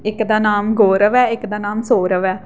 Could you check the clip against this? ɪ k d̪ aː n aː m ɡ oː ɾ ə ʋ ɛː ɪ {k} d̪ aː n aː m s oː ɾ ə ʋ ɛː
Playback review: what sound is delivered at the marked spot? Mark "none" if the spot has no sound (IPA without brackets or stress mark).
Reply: k